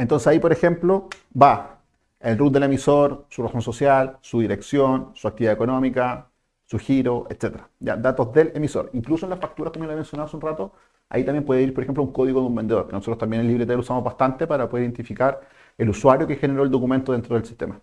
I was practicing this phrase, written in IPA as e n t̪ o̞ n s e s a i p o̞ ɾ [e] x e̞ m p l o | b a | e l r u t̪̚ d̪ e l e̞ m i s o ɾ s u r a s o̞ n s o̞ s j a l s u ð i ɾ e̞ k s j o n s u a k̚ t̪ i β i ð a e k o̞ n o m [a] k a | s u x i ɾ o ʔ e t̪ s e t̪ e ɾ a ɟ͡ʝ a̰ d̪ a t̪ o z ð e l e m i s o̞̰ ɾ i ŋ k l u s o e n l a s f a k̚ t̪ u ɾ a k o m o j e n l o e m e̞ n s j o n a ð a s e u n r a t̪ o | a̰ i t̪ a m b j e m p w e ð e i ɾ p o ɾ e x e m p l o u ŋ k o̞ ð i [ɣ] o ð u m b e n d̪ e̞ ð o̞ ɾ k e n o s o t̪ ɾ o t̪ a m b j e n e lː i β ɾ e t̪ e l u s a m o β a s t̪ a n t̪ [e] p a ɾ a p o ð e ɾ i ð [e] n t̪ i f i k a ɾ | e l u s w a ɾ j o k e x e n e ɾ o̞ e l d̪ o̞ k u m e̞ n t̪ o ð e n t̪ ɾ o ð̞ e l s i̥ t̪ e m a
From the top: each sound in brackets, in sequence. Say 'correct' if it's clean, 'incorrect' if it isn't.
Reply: correct, incorrect: i, correct, correct, correct

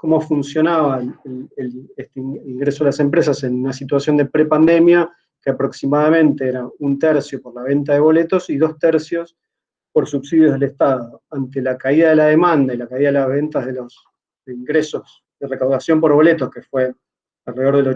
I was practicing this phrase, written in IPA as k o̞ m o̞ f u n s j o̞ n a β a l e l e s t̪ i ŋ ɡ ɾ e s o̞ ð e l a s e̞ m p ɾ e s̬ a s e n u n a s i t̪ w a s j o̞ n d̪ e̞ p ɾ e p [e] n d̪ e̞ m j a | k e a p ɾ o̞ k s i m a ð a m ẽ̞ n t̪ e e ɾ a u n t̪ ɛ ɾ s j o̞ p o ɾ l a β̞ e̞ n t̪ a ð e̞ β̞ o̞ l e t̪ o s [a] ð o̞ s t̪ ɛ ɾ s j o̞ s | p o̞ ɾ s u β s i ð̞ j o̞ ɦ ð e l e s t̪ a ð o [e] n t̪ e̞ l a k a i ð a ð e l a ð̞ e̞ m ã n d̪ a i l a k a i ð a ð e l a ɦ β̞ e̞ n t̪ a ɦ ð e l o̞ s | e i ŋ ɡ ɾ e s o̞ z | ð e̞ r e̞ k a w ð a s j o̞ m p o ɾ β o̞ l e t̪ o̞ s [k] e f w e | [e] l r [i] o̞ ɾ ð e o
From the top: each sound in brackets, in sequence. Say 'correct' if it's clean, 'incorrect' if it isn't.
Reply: incorrect: a, incorrect: i, incorrect: a, correct, incorrect: a, incorrect: e

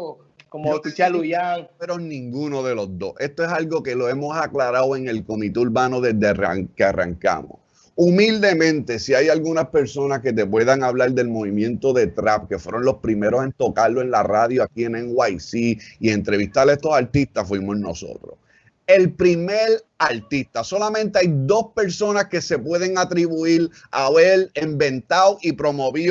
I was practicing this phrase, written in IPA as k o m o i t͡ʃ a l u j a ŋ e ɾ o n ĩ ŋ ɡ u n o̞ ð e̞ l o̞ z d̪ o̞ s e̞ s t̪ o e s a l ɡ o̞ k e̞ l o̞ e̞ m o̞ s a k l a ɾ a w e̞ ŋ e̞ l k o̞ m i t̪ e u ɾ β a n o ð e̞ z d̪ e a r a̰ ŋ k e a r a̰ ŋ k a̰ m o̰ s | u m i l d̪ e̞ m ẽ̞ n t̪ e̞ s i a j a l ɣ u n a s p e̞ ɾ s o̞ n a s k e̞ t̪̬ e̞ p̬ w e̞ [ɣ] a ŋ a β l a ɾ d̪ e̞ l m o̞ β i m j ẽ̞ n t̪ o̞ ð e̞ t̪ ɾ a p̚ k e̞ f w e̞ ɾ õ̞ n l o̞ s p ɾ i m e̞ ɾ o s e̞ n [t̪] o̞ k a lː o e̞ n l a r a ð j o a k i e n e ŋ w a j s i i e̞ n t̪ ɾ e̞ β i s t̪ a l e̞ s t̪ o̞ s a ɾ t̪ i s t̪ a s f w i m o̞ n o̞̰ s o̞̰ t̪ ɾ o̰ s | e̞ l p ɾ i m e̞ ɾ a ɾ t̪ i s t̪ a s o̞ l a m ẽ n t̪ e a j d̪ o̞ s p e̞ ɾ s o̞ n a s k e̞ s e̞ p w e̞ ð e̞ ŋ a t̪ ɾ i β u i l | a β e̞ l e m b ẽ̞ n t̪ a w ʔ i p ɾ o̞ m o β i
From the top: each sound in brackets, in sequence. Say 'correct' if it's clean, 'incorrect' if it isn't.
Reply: incorrect: ð, correct

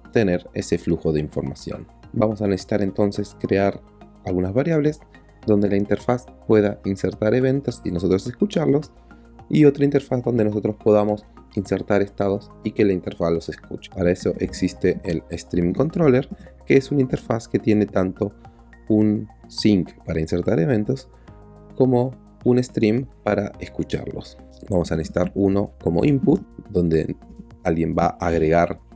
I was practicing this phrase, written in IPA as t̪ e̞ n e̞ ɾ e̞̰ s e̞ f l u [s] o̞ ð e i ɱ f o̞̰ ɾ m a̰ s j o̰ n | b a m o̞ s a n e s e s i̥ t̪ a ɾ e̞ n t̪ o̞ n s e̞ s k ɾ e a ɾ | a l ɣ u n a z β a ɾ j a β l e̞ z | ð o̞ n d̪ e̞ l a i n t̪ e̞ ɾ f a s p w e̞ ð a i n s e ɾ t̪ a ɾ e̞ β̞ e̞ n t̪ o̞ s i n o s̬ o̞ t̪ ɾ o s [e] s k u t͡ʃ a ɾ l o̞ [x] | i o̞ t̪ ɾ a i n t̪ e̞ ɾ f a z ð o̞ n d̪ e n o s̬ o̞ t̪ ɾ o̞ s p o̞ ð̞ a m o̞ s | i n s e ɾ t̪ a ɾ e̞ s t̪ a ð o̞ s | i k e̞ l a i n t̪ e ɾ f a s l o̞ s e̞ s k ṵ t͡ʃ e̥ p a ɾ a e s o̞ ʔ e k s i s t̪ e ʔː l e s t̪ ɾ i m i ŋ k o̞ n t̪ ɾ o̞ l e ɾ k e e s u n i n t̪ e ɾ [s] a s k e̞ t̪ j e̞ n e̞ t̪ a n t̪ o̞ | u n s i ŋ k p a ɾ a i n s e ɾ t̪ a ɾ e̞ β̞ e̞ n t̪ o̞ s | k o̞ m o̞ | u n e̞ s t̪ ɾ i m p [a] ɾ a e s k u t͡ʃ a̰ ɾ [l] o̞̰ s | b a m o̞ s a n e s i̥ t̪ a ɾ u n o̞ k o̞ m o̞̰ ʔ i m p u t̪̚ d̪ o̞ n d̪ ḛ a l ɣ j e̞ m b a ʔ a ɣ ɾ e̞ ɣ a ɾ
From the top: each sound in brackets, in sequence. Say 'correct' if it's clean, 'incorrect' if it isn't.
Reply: incorrect: x, correct, incorrect: s, incorrect: f, correct, correct

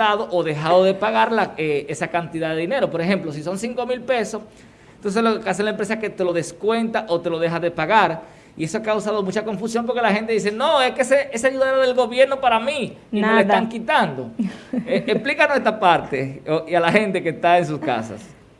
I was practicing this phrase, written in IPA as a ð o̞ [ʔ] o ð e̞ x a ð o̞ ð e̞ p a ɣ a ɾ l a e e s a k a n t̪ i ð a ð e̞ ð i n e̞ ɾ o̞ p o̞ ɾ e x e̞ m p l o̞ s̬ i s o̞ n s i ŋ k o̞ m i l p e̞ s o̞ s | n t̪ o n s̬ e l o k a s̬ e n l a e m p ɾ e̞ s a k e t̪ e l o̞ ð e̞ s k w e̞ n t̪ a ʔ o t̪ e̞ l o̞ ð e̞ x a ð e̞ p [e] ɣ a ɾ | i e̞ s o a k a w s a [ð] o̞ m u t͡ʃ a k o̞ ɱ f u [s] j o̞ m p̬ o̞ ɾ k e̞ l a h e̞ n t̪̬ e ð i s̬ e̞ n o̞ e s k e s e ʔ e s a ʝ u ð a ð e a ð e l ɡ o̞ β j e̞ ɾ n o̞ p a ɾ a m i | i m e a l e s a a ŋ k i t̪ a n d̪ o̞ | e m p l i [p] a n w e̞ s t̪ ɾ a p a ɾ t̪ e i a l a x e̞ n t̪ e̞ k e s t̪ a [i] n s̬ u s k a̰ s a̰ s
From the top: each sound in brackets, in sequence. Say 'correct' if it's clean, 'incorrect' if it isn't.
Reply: correct, incorrect: a, correct, correct, incorrect: k, incorrect: e

